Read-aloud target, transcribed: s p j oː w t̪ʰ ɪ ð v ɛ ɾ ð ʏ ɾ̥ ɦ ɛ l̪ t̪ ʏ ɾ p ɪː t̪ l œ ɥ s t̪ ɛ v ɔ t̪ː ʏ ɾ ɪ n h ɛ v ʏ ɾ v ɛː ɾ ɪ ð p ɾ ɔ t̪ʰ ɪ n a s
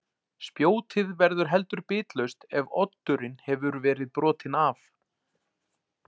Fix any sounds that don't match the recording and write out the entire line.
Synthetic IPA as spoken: s p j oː w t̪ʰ ɪ ð v ɛ ɾ ð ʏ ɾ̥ ɦ ɛ l̪ t̪ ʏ ɾ p ɪː t̪ l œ ɥ s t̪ ɛ v ɔ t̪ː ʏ ɾ ɪ n h ɛ v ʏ ɾ v ɛː ɾ ɪ ð p ɾ ɔː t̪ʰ ɪ n a f

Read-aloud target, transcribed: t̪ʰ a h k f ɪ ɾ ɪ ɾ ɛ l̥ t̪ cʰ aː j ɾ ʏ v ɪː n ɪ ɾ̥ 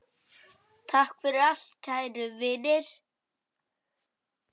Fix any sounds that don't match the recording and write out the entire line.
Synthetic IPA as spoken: t̪ʰ a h k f ɪ ɾ ɪ ɾ a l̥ t̪ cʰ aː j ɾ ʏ v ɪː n ɪ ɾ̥

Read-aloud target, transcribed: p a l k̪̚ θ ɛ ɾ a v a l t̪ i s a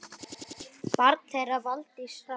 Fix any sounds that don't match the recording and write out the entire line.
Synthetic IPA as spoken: p a ɾ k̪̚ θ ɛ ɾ a v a l t̪ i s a

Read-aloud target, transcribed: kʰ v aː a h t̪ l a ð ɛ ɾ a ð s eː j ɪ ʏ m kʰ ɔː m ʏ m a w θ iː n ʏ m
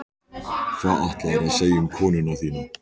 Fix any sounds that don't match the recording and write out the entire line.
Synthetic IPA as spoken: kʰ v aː a h t̪ l a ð ɛ ɾ a ð s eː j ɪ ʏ m kʰ ɔː n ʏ n a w θ iː n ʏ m

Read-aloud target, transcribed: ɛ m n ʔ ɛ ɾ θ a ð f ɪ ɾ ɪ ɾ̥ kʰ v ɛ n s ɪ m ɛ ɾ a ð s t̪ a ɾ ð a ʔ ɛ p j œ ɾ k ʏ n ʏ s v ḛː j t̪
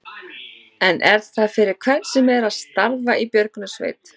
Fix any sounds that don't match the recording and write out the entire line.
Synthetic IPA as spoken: ɛ n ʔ ɛ ɾ θ a ð f ɪ ɾ ɪ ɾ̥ kʰ v ɛ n s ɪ m ɛ ɾ a ð s t̪ a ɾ v a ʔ i p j œ ɾ k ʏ n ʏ s v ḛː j t̪

